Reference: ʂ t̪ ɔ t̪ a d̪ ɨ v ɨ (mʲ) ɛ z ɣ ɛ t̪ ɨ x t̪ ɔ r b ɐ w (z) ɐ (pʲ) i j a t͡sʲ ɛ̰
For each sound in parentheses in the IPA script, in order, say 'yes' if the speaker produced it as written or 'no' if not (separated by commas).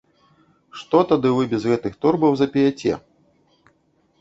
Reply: no, yes, yes